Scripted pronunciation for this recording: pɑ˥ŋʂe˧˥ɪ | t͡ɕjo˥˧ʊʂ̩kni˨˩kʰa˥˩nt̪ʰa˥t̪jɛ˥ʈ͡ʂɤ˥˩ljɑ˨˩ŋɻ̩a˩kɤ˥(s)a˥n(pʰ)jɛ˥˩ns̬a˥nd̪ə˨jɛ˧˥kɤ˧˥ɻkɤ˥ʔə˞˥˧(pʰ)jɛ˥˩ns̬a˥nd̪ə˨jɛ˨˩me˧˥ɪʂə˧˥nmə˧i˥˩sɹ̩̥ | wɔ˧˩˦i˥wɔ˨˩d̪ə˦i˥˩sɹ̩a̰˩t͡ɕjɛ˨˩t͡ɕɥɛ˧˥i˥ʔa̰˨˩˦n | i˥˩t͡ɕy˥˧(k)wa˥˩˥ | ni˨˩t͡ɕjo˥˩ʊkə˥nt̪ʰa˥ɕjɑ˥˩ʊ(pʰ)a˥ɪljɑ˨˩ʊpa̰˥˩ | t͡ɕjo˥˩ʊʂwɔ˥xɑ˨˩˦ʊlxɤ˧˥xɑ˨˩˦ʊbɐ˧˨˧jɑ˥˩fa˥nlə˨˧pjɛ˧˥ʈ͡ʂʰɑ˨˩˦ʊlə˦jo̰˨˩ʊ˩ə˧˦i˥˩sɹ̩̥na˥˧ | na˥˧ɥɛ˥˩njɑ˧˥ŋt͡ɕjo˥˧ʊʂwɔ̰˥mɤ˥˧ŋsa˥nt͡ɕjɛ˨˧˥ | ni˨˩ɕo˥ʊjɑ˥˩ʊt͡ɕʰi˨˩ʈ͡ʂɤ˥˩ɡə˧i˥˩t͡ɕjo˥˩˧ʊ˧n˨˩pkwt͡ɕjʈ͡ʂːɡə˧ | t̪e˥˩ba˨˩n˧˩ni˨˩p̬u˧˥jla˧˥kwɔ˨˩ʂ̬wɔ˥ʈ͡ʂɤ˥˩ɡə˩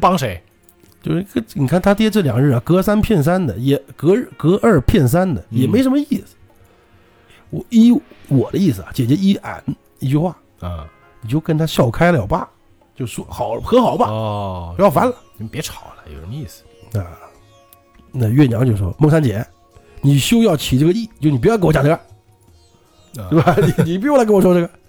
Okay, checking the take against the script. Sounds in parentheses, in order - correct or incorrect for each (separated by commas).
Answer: correct, correct, correct, incorrect, incorrect